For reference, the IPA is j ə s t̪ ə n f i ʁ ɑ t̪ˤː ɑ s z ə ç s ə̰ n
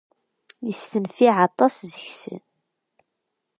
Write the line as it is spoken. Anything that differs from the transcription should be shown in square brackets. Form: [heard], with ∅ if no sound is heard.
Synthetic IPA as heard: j ə s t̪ ə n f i [ʕ] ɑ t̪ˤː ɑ s z ə ç s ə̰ n